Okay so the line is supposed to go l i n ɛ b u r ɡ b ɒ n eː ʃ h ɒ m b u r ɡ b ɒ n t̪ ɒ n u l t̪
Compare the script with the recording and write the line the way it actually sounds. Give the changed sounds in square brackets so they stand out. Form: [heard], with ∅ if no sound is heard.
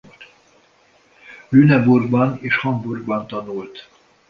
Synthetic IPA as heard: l [y] n ɛ b u r ɡ b ɒ n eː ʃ h ɒ m b u r ɡ b ɒ n t̪ ɒ n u l t̪